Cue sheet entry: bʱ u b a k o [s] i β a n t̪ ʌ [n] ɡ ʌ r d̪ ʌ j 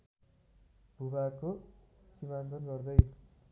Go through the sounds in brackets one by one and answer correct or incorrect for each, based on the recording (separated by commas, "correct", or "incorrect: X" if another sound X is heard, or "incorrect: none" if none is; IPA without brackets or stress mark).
correct, correct